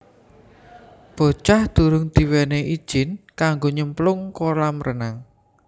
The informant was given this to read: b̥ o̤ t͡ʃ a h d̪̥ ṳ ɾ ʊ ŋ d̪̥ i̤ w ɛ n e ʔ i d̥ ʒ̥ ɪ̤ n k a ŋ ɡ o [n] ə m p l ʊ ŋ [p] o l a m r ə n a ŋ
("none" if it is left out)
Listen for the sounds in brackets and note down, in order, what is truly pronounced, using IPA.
ɲ, k

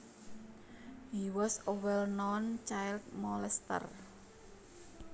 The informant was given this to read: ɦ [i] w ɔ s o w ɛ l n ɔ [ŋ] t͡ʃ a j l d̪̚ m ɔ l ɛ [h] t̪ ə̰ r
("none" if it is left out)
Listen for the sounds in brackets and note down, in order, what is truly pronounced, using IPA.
i, n, s

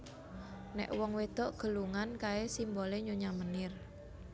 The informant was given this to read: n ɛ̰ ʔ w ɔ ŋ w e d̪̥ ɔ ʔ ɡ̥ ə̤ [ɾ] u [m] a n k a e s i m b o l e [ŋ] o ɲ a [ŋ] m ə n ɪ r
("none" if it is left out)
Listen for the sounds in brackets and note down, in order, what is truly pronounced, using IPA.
l, ŋ, ɲ, none

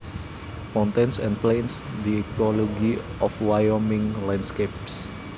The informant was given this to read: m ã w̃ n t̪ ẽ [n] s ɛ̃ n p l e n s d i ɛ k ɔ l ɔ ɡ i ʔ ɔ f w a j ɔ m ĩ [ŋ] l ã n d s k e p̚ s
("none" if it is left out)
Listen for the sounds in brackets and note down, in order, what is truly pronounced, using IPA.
n, ŋ

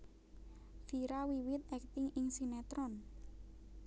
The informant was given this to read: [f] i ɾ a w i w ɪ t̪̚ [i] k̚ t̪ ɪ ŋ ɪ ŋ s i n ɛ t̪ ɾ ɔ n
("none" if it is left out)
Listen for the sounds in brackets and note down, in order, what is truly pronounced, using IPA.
f, ɛ

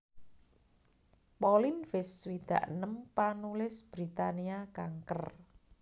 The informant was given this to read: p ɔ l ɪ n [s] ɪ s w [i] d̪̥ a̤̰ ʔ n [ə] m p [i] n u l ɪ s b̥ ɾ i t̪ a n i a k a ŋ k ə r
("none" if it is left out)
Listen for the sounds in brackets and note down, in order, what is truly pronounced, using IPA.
f, i, ə, a

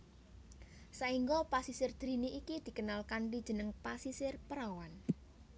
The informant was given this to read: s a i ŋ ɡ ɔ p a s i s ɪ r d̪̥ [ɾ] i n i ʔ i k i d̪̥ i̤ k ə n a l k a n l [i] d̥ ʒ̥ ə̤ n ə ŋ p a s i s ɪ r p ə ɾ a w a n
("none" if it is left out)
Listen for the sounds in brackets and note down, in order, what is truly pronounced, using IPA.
ɾ, i

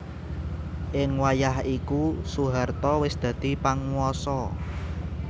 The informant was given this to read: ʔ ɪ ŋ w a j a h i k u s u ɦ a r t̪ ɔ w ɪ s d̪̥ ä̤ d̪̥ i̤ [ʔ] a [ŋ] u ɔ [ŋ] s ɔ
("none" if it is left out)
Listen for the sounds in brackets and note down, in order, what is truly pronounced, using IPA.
p, ŋ, none

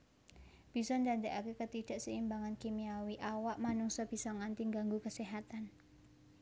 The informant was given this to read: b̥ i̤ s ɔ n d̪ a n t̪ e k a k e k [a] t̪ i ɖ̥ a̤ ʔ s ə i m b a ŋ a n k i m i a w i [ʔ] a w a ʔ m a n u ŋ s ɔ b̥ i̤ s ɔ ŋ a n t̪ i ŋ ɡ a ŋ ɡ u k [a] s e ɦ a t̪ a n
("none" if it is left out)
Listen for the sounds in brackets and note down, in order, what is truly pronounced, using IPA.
ə, ʔ, ə

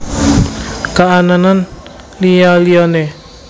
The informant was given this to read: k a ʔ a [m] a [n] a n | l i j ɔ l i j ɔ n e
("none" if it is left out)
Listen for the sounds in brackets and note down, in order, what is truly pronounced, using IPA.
n, n

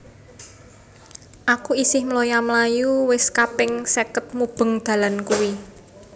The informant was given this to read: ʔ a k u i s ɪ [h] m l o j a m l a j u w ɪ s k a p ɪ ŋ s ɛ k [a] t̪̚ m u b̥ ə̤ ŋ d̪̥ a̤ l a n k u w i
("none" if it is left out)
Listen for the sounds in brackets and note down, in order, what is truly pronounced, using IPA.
h, ə

